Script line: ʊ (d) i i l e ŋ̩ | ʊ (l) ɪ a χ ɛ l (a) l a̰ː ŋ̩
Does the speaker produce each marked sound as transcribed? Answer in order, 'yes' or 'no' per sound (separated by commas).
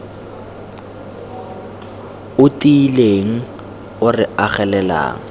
no, no, no